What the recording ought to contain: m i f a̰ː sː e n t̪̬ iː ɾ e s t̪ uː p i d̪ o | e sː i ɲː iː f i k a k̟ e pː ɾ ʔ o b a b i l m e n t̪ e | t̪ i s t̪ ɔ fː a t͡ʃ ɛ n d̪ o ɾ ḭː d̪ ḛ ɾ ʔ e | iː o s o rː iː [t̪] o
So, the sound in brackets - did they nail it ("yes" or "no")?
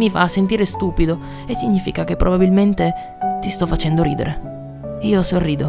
no